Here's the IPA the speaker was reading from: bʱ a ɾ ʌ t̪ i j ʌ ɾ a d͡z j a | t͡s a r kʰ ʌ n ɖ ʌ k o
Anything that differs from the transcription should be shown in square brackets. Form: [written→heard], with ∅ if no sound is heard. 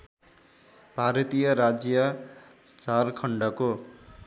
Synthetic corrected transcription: bʱ a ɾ ʌ t̪ i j ʌ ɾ a d͡z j [a→ʌ] | t͡s a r kʰ ʌ [n→ɳ] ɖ ʌ k o